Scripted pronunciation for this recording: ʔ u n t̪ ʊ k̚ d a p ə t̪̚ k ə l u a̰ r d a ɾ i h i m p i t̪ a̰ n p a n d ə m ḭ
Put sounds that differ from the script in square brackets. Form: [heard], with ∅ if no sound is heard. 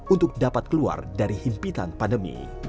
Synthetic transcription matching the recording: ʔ u n t̪ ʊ k̚ d a p [a] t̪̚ k ə l u a̰ r d a ɾ i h i m p i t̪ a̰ n p a n d ə m ḭ